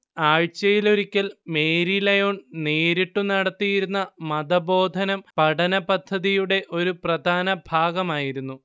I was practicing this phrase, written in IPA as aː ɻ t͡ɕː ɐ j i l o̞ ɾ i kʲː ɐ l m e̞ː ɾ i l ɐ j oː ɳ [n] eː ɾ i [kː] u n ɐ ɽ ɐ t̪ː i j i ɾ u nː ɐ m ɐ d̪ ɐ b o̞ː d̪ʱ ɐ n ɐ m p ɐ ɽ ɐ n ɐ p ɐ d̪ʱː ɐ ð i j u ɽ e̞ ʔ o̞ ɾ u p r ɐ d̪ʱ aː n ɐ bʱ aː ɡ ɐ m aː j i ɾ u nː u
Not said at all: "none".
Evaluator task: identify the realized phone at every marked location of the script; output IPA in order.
n, ʈː

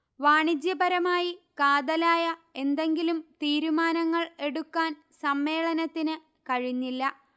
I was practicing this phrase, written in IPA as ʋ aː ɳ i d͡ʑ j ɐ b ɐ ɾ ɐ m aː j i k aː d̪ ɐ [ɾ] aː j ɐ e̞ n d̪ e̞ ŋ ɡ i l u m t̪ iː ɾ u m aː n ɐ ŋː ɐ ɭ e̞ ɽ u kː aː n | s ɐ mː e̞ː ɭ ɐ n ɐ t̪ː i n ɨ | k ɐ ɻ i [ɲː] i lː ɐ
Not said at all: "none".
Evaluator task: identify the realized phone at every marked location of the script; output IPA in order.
l, ɲː

